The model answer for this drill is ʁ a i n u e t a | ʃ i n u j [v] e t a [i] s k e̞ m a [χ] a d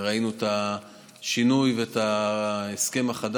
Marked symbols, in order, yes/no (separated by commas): yes, no, yes